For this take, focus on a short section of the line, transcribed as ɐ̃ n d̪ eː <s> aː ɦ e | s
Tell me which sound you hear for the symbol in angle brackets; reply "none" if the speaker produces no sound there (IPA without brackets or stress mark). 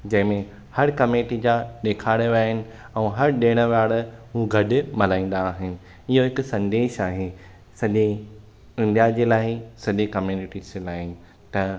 ʃ